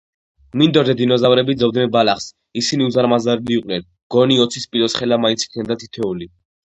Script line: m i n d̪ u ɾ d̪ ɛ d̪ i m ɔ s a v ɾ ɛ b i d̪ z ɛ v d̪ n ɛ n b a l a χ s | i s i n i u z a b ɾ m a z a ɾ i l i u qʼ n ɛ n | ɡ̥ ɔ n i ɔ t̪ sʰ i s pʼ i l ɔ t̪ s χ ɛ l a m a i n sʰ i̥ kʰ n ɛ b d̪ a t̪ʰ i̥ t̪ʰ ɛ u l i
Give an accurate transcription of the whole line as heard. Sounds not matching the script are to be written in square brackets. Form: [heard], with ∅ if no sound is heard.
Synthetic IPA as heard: m i n d̪ [ɔ] ɾ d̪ ɛ d̪ i [n] ɔ [z] a v ɾ ɛ b i d̪ z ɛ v d̪ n ɛ n b a l a χ s | i s i n i u z a [∅] ɾ m a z a ɾ i l i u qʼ n ɛ n | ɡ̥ ɔ n i ɔ t̪ sʰ i s pʼ i l ɔ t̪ s χ ɛ l a m a i n sʰ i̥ kʰ n ɛ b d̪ a t̪ʰ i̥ t̪ʰ ɛ u l i